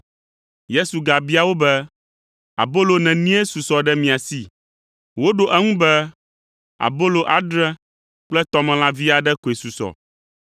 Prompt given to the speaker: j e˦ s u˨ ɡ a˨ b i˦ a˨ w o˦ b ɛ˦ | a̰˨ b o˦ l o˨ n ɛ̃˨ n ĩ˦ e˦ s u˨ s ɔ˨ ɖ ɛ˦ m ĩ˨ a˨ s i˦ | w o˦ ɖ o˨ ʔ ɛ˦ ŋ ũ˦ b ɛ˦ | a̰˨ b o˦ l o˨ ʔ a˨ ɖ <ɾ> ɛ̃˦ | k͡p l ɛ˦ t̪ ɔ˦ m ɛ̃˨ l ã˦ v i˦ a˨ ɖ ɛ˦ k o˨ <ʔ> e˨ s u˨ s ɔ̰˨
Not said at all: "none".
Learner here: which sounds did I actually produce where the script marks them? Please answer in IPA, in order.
ɾ, none

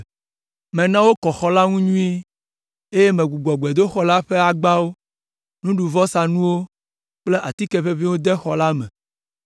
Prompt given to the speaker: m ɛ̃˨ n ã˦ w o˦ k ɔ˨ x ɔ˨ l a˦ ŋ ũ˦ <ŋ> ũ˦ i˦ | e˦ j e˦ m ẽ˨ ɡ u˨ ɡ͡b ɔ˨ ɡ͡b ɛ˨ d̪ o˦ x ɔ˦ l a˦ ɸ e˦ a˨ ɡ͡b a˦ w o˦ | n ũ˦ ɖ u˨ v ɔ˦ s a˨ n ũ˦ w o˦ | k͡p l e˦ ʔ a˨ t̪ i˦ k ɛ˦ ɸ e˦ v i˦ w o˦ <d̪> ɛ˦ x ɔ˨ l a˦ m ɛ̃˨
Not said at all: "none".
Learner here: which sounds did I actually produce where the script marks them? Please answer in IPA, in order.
ɲ, d̪

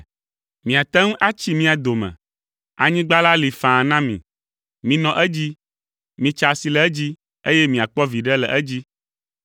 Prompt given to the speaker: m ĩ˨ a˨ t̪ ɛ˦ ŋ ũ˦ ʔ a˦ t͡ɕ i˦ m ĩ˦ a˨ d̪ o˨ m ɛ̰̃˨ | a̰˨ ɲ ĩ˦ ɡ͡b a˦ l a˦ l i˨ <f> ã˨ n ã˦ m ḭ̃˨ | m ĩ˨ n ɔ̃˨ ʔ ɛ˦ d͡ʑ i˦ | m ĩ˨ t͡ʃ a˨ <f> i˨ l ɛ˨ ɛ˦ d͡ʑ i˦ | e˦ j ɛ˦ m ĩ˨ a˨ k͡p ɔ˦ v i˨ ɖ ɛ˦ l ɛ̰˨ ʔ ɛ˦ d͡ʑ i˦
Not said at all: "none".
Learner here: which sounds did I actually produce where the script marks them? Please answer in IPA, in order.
f, s

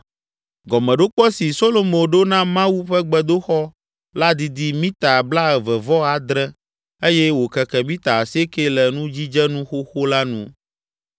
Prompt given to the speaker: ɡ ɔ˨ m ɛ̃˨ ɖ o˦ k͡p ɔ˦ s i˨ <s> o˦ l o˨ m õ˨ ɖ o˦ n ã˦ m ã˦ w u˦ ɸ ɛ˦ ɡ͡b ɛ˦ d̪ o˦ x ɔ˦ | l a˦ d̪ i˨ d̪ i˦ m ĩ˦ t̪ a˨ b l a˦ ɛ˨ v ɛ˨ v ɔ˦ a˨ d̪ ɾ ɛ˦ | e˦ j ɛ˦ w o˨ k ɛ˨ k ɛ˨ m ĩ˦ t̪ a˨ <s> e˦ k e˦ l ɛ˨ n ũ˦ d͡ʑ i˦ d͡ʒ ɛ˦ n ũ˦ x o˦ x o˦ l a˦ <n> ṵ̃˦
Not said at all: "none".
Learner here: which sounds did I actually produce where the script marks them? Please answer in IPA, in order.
s, s, n

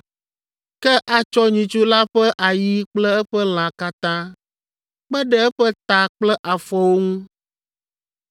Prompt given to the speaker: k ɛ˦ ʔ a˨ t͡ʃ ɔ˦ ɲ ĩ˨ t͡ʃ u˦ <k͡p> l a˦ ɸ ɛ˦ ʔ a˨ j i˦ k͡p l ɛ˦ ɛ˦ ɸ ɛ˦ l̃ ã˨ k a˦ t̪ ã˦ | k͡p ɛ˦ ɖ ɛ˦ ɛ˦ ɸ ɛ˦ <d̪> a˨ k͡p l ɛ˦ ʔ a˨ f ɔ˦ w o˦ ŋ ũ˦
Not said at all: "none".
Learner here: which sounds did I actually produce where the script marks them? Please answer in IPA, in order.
none, t̪

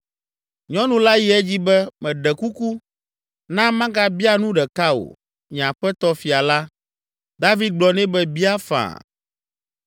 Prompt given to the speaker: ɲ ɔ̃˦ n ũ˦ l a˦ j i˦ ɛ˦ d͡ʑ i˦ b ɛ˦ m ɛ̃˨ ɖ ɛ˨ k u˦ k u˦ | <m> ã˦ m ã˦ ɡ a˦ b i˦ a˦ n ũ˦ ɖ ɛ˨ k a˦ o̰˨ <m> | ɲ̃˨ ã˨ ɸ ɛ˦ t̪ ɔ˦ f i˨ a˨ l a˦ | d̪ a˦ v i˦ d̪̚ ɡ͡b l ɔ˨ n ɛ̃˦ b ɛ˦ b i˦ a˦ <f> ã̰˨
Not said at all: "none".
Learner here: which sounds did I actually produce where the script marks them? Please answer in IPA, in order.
n, none, f

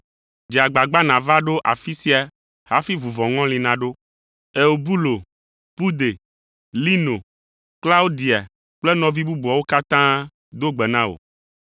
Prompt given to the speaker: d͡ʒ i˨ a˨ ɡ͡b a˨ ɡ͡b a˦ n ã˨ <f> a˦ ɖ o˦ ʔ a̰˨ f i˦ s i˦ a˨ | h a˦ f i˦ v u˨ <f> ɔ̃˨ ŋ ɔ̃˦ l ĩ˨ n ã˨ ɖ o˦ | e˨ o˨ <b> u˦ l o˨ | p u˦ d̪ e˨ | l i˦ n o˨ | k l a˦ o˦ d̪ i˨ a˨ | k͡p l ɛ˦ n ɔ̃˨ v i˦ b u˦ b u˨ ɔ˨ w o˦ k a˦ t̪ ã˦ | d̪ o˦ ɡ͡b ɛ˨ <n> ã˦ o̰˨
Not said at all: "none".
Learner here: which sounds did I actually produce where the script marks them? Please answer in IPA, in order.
v, v, b, n

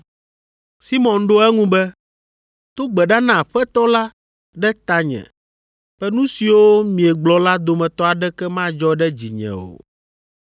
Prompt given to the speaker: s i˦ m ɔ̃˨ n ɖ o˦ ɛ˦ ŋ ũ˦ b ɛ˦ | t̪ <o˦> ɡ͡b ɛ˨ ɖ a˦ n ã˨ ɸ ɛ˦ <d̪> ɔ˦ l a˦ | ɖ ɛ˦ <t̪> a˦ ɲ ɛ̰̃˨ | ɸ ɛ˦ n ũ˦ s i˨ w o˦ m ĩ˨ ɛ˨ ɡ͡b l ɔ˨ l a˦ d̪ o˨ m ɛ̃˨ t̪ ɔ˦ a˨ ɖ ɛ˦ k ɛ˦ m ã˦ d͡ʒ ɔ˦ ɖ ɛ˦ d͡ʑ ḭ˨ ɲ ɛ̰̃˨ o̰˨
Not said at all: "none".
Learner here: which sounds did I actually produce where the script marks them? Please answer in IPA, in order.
o˦, t̪, t̪

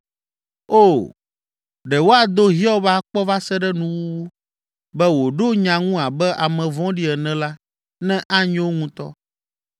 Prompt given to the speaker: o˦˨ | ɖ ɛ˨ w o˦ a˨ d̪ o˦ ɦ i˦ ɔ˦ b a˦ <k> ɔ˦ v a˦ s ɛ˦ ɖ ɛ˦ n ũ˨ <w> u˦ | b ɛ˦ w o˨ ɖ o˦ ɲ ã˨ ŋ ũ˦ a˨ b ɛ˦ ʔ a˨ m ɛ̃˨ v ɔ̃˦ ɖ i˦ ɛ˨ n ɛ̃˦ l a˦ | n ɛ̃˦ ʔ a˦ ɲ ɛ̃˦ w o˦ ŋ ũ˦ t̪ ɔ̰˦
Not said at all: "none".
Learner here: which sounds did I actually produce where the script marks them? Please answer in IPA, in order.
k͡p, w

